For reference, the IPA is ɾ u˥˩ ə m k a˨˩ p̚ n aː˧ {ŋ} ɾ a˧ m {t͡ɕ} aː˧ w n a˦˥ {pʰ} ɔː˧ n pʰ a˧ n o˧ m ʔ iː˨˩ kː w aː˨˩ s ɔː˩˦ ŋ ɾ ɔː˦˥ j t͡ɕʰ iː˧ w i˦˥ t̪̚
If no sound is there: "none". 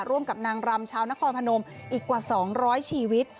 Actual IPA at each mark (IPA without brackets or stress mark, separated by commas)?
ŋ, t͡ɕʰ, kʰ